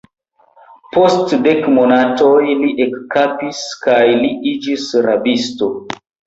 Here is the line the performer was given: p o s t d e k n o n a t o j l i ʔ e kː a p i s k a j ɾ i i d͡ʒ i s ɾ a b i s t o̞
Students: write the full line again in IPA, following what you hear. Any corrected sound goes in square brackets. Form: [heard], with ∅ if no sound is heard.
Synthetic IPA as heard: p o s t d e k [m] o n a t o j l i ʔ e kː a p i s k a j [l] i i d͡ʒ i s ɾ a b i s t o̞